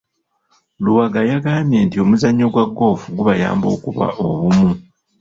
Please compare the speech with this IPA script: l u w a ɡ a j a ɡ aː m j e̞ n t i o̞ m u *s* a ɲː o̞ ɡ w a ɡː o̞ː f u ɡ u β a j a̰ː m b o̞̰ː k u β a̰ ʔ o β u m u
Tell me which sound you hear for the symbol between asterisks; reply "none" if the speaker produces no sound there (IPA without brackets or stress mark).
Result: z